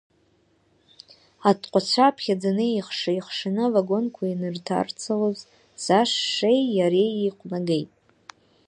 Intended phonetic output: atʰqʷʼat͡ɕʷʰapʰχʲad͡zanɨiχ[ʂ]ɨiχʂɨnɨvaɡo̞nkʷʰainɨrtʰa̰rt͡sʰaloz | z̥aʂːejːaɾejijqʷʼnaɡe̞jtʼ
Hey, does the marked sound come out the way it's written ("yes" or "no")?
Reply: yes